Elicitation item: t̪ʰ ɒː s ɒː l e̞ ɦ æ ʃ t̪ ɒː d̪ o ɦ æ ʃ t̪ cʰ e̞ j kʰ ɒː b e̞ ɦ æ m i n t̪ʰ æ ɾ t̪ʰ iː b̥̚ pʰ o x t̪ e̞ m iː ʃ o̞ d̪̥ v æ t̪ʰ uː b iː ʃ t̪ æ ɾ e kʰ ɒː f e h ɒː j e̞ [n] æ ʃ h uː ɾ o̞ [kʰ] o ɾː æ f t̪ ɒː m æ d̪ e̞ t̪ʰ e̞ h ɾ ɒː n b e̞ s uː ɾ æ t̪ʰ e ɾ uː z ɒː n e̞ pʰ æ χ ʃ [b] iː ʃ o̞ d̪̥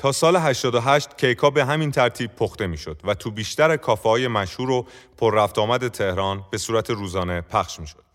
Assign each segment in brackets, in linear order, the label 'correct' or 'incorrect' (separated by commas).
incorrect, incorrect, incorrect